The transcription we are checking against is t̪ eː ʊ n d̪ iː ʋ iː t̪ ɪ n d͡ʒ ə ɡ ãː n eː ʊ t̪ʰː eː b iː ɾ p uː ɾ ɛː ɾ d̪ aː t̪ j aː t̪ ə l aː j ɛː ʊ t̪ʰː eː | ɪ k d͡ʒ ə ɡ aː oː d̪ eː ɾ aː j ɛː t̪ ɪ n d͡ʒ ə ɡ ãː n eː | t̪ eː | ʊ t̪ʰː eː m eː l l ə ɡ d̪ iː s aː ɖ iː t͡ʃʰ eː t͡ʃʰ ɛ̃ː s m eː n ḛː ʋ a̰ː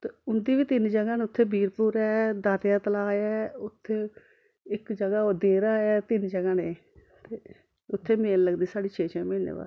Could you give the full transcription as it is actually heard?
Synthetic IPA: t̪ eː ʊ n d̪ iː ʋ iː t̪ ɪ n d͡ʒ ə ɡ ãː n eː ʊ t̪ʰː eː b iː ɾ p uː ɾ ɛː d̪ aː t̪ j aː t̪ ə l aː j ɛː ʊ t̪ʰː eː | ɪ k d͡ʒ ə ɡ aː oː d̪ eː ɾ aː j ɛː t̪ ɪ n d͡ʒ ə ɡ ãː n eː | t̪ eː | ʊ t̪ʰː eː m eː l l ə ɡ d̪ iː s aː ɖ iː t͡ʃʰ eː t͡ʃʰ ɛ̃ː m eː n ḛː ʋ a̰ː